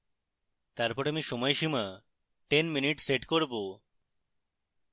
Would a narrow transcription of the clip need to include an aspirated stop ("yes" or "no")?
no